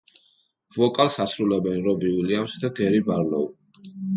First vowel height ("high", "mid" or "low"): mid